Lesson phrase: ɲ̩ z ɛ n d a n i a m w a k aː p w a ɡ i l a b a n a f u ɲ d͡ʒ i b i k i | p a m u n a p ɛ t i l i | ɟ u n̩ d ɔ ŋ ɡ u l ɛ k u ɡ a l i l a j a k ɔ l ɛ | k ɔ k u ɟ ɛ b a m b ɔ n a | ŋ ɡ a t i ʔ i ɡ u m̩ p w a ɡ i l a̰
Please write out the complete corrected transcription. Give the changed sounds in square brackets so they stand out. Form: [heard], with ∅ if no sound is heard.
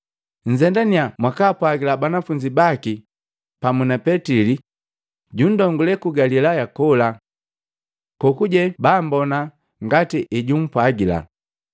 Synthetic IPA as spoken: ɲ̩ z ɛ n d a n i a m w a k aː p w a ɡ i l a b a n a f u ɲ d͡ʒ i b [a] k i | p a m u n a p ɛ t i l i | ɟ u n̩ d ɔ ŋ ɡ u l ɛ k u ɡ a l i l a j a k ɔ l [a] | k ɔ k u ɟ ɛ b a m b ɔ n a | ŋ ɡ a t i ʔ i [ɟ] u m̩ p w a ɡ i l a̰